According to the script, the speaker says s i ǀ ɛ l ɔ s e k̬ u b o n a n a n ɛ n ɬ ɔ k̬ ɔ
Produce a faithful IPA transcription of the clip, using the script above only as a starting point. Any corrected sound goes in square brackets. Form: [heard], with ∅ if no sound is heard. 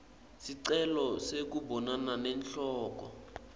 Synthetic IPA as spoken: s i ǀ ɛ l ɔ s e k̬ u b [ɔ] n a n a n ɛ n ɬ [ɔː] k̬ ɔ